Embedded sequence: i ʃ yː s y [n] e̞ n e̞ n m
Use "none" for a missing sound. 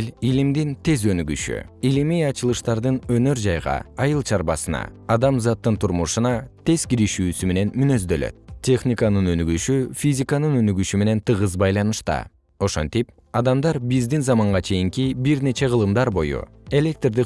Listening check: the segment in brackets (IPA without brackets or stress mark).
m